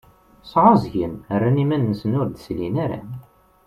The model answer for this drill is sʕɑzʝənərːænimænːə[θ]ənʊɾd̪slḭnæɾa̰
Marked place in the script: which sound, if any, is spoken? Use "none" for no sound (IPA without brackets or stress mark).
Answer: s